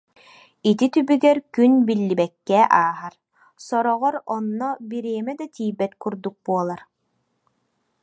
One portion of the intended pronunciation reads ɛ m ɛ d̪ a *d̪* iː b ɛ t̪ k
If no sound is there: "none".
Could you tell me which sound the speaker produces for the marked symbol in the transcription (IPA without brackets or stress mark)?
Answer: t̪